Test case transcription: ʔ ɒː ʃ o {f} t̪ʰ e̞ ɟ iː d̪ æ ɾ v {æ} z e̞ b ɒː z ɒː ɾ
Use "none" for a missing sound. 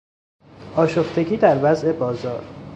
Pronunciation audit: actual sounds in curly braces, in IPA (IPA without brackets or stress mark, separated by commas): f, æ